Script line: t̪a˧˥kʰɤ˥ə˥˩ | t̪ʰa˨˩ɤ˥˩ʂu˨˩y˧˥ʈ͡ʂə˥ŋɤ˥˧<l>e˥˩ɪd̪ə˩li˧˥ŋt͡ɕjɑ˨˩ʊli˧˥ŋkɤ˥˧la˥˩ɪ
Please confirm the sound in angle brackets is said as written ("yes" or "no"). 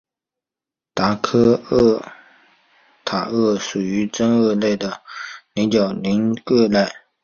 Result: yes